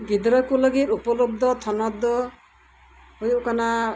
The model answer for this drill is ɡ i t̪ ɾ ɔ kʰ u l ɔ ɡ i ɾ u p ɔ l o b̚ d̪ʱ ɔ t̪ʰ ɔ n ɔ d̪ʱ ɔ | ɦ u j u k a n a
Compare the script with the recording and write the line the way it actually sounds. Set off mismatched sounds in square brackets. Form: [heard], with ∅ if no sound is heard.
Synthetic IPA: ɡ i [d̪] ɾ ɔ [k] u l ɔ ɡ i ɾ u p ɔ l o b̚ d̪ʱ ɔ t̪ʰ ɔ n ɔ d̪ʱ ɔ | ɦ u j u k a n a

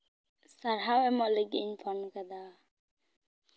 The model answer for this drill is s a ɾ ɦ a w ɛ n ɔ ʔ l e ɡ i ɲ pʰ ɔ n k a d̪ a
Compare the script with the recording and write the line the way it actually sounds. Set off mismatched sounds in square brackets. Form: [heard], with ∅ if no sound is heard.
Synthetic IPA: s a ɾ ɦ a w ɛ [m] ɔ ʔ l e ɡ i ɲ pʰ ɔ n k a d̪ a

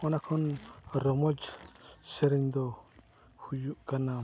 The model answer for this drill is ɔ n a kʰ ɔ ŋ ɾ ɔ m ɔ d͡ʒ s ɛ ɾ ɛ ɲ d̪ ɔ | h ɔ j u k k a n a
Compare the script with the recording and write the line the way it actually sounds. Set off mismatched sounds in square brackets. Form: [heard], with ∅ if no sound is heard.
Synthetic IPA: ɔ n a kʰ ɔ [n] ɾ ɔ m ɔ d͡ʒ s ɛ ɾ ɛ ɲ d̪ ɔ | h [u] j u [ʔ] k a n a

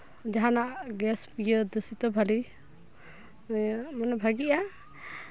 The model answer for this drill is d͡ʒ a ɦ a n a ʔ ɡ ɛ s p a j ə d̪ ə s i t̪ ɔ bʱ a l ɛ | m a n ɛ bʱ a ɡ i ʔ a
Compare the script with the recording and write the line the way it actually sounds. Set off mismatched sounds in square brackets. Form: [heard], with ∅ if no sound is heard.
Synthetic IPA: d͡ʒ a ɦ a n a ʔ ɡ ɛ s p [i] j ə d̪ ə s i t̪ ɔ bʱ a l [i] | m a n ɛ bʱ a ɡ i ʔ a

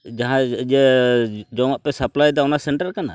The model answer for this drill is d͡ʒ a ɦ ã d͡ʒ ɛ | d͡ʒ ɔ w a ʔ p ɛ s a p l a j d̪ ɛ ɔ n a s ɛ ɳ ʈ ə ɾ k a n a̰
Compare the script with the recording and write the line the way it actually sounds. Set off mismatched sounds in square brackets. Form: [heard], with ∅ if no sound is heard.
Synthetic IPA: d͡ʒ a ɦ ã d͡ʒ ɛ | d͡ʒ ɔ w a ʔ p ɛ s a p l a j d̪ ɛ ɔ n a s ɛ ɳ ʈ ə ɾ k a n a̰

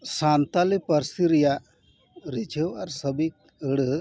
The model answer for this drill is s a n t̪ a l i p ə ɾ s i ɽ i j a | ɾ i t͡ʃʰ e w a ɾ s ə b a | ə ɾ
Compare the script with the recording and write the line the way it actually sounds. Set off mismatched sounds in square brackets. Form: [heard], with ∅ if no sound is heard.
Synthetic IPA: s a n t̪ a l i p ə ɾ s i [ɾ] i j a | ɾ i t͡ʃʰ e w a ɾ s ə b [i] | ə [ɽ]

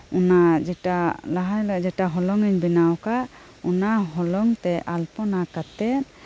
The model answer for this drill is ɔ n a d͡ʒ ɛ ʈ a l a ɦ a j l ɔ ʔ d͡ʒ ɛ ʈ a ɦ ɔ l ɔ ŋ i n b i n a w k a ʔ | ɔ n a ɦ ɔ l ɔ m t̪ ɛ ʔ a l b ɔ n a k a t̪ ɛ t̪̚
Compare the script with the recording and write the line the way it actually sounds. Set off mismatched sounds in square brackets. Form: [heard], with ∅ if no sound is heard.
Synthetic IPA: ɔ n a d͡ʒ ɛ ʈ a l a ɦ a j l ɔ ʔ d͡ʒ ɛ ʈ a ɦ ɔ l ɔ ŋ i [ɲ] b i n a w k a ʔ | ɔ n a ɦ ɔ l ɔ [ŋ] t̪ ɛ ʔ a l [p] ɔ n a k a t̪ ɛ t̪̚

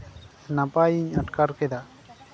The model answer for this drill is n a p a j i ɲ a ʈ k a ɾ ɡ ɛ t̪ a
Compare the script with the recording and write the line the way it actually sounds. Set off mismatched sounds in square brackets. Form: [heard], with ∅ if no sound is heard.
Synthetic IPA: n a p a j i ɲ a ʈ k a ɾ [k] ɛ [d̪] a

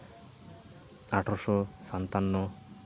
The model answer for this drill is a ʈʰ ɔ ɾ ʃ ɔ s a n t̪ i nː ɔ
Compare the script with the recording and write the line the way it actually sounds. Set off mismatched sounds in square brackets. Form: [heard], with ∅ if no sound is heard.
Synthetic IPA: a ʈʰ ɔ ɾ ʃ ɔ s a n t̪ [a] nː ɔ

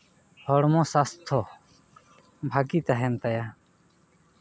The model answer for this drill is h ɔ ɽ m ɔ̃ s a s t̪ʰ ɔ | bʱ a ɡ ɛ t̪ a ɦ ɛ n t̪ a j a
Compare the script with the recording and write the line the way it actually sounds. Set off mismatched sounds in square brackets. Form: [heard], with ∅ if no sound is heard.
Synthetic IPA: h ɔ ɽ m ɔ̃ s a s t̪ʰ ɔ | bʱ a ɡ [i] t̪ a ɦ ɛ n t̪ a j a

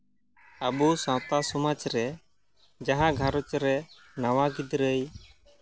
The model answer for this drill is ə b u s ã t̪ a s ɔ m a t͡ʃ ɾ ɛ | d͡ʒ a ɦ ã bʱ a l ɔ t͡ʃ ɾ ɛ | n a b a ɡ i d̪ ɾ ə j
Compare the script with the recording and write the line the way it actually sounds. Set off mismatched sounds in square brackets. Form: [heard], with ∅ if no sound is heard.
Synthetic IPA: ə b u s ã t̪ a s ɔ m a t͡ʃ ɾ ɛ | d͡ʒ a ɦ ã [ɡʱ] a [ɾ] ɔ t͡ʃ ɾ ɛ | n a [w] a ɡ i d̪ ɾ ə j

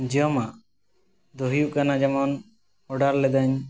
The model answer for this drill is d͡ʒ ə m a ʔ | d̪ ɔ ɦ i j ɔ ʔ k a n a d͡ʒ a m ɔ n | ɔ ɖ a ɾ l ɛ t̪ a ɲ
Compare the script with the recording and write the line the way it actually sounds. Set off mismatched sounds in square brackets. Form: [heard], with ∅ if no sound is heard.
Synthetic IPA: d͡ʒ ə m a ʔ | d̪ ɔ ɦ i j [u] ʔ k a n a d͡ʒ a m ɔ n | ɔ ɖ a ɾ l ɛ [d̪] a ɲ

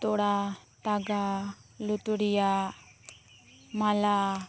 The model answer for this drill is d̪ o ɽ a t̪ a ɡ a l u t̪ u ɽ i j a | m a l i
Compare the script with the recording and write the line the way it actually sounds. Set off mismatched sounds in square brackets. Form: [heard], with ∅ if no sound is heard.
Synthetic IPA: [t̪] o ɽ a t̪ a ɡ a l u t̪ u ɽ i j a | m a l [a]

